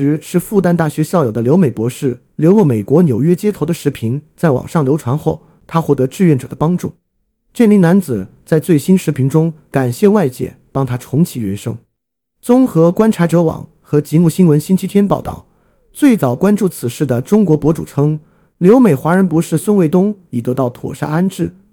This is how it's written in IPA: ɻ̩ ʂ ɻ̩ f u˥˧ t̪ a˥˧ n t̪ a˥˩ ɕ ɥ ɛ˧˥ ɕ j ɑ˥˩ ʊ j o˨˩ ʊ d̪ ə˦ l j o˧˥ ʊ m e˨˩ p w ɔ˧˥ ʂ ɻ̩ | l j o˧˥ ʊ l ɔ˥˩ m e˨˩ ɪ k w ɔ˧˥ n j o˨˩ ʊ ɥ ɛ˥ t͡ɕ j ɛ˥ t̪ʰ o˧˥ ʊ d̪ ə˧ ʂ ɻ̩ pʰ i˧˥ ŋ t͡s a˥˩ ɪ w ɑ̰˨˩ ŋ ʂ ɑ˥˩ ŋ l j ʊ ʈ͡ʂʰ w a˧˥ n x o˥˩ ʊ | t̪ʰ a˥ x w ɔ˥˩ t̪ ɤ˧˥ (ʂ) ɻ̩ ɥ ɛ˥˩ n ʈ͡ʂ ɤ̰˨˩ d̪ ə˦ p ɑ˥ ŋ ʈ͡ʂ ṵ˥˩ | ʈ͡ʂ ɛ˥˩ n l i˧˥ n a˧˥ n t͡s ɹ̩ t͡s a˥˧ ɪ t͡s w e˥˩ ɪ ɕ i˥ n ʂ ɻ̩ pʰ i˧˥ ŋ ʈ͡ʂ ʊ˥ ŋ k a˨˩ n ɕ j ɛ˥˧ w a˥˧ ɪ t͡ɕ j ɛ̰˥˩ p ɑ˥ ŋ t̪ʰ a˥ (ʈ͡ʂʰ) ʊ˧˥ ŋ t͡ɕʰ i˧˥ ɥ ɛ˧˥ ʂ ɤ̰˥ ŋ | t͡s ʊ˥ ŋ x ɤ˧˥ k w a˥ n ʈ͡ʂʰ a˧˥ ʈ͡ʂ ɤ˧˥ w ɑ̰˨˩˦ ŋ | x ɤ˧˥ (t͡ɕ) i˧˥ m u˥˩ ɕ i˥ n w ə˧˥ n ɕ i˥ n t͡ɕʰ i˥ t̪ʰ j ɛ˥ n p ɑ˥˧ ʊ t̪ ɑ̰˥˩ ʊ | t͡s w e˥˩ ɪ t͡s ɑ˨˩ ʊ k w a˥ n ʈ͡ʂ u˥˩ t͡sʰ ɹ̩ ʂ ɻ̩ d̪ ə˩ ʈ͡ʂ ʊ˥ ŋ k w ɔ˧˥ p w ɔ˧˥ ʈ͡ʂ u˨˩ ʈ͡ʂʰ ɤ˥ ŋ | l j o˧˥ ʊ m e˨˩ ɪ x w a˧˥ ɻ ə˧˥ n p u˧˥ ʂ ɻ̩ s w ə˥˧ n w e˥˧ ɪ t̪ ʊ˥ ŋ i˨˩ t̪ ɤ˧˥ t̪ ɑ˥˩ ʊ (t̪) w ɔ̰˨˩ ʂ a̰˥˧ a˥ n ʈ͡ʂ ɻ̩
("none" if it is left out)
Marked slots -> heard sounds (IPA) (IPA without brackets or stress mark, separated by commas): ʈ͡ʂ, ʈ͡ʂʰ, t͡ɕ, t̪ʰ